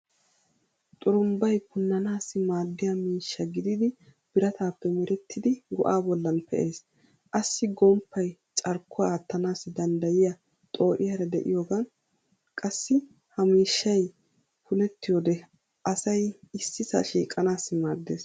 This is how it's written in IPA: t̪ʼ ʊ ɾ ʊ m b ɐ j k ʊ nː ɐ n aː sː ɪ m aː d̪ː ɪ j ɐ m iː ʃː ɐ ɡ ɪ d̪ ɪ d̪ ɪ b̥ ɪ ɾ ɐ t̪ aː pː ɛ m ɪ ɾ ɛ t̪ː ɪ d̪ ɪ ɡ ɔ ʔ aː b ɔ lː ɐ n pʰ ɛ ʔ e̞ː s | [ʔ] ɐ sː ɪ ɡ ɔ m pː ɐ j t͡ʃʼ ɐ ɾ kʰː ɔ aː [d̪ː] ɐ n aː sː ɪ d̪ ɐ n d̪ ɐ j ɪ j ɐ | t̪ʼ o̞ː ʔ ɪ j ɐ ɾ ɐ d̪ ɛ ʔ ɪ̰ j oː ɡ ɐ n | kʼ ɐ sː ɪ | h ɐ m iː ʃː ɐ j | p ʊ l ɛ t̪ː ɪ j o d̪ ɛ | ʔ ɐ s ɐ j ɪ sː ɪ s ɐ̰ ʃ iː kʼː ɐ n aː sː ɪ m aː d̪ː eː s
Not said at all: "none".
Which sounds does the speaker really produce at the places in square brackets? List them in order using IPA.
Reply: ʔ, t̪ː

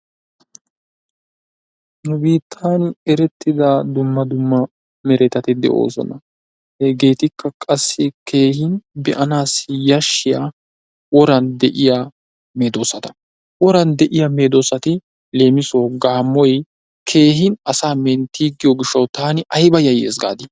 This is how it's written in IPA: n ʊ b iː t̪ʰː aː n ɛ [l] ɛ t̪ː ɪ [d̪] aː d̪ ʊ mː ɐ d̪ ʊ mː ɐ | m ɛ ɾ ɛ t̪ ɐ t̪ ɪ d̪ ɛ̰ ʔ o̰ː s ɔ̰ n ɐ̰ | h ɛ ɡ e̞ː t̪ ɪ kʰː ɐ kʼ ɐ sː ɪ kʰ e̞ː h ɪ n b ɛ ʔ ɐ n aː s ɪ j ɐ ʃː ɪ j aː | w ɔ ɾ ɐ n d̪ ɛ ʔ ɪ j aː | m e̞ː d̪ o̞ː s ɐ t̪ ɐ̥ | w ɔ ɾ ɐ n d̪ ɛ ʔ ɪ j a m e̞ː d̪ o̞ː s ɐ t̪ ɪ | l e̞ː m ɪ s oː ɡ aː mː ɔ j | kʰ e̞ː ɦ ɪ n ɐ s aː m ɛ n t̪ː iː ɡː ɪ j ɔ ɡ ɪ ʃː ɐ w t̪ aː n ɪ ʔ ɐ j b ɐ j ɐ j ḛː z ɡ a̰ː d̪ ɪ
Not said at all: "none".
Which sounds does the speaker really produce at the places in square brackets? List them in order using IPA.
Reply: ɾ, d̪

